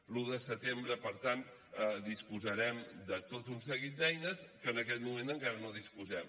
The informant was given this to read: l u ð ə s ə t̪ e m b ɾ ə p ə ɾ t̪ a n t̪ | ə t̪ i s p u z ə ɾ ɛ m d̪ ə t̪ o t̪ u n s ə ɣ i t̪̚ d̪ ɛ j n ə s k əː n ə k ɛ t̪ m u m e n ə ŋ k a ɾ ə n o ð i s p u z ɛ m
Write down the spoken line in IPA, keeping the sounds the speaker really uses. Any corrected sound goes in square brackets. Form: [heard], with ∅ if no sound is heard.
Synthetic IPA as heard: l u ð ə s ə t̪ e m b ɾ ə p ə ɾ t̪ a n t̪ | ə [d̪] i s p u z ə ɾ ɛ m d̪ ə t̪ o t̪ u n s ə ɣ i t̪̚ d̪ ɛ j n ə s k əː n ə k ɛ t̪ m u m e n ə ŋ k a ɾ ə n o ð i s p u z ɛ m